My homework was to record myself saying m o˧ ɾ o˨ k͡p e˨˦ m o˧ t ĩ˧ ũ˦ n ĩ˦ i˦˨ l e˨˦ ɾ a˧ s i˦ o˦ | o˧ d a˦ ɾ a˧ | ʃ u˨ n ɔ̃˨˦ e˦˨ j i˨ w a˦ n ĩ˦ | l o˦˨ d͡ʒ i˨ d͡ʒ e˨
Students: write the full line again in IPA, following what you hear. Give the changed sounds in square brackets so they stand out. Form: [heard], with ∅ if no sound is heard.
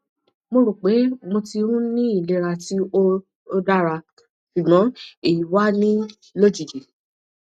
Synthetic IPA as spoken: m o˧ ɾ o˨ k͡p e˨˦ m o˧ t [i˧] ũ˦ n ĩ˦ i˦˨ l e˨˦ ɾ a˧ [t] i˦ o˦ | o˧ d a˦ ɾ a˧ | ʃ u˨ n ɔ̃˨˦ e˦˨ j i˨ w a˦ n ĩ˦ | l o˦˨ d͡ʒ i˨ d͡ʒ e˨